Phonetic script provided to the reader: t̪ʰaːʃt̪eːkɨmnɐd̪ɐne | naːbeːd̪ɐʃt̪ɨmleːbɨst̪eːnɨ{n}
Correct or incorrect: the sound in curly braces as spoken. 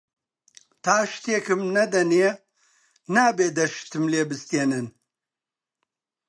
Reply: correct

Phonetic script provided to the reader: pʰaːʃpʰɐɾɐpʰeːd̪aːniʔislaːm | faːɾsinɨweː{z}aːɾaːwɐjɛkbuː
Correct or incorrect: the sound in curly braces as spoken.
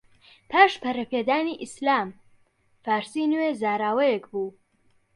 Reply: correct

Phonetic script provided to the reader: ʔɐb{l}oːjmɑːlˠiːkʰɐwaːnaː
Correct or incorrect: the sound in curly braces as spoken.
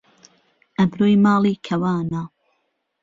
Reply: incorrect: ɾ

